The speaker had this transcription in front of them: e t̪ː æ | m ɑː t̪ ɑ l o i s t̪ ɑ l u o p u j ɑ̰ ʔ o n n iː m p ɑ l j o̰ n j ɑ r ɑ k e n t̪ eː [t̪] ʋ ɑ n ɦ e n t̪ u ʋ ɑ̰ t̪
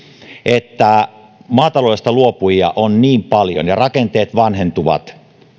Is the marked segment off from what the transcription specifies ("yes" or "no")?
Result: no